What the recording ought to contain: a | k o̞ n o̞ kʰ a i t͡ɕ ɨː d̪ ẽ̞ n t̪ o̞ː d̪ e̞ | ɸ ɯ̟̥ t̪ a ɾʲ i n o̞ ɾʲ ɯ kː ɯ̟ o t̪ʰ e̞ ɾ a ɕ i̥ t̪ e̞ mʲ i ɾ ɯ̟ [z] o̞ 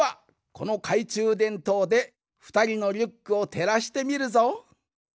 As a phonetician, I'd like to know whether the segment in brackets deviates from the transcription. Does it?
no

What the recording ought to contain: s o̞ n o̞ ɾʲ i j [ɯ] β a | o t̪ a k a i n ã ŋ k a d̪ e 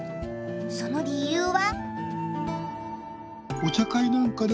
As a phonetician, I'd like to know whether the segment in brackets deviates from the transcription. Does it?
yes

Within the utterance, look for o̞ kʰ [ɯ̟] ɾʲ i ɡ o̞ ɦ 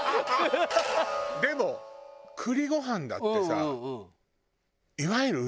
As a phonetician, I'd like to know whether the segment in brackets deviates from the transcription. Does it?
no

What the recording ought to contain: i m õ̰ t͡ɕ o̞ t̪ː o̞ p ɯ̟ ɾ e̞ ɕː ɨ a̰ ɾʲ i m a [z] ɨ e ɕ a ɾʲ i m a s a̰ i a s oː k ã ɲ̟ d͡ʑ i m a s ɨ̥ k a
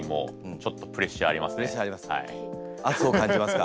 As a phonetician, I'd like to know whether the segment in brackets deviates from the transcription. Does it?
yes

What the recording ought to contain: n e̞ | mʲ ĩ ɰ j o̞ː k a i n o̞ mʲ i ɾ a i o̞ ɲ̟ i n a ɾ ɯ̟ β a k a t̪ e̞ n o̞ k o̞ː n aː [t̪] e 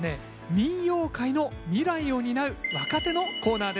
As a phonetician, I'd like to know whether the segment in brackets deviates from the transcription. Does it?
yes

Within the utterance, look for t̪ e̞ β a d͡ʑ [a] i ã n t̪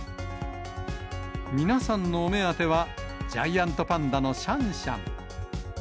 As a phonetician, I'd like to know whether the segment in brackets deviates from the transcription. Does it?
no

